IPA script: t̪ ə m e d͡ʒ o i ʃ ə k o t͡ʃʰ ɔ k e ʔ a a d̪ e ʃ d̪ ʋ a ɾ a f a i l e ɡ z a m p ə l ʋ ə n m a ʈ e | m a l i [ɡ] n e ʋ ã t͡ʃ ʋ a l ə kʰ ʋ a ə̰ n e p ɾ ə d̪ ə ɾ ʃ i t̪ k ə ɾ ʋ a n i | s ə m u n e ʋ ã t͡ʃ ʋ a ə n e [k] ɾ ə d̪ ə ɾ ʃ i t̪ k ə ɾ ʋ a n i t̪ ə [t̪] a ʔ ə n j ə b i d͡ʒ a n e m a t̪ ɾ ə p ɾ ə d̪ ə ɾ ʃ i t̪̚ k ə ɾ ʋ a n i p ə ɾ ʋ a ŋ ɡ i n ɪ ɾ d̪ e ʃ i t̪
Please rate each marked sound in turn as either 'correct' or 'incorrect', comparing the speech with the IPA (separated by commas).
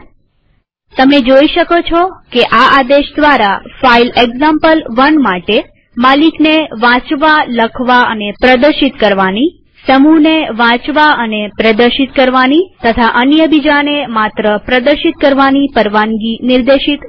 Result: incorrect, incorrect, incorrect